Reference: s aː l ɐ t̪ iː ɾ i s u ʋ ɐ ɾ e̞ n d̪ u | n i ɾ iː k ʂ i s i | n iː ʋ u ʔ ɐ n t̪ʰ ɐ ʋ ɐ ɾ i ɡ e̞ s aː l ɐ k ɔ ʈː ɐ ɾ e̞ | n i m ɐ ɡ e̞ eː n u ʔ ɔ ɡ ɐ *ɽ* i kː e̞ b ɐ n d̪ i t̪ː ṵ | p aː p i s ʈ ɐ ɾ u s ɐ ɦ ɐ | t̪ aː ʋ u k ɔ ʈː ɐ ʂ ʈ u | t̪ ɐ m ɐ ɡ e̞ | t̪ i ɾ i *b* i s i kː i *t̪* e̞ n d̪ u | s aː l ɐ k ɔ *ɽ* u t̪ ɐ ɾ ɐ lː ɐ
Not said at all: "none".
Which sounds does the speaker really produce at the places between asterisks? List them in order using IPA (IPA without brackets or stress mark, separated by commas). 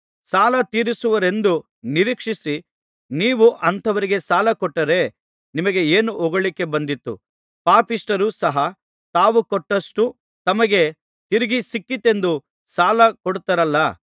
ɭ, ɡ, t̪, ɽ